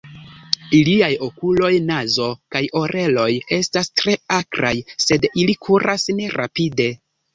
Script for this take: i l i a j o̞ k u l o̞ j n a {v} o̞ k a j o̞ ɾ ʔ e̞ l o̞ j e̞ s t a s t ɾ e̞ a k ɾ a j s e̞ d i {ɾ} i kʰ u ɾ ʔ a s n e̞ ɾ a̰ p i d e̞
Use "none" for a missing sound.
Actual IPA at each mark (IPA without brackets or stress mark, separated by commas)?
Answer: z, l